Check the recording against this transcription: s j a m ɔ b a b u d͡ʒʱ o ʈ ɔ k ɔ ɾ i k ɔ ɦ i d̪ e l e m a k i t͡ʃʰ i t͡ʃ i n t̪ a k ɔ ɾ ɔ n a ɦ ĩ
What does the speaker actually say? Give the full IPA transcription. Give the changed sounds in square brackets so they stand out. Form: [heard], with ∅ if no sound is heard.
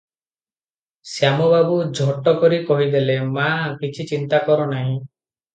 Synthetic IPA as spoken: s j a m ɔ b a b u d͡ʒʱ [ɔ] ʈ ɔ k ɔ ɾ i k ɔ ɦ i d̪ e l e m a k i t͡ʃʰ i t͡ʃ i n t̪ a k ɔ ɾ ɔ n a ɦ ĩ